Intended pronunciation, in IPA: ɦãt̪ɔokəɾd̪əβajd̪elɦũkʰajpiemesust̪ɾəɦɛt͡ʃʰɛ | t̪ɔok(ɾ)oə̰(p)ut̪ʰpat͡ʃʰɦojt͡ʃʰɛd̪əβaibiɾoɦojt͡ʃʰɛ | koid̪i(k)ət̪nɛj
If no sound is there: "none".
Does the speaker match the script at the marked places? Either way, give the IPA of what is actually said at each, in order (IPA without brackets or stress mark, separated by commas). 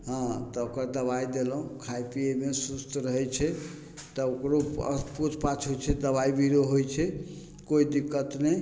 ɾ, p, k